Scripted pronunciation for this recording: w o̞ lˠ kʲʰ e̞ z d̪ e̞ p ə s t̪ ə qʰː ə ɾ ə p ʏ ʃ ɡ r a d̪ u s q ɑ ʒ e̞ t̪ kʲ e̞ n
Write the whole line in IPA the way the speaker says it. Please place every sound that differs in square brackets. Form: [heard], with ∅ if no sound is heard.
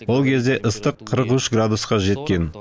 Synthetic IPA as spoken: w o̞ lˠ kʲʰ e̞ z d̪ e̞ [ʔ] ə s t̪ ə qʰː ə ɾ ə [q] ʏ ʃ ɡ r a d̪ u s q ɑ ʒ e̞ t̪ kʲ e̞ n